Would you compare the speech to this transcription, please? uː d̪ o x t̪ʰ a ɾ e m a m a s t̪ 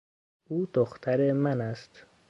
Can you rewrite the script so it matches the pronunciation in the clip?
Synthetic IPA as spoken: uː d̪ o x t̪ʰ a ɾ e m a n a s t̪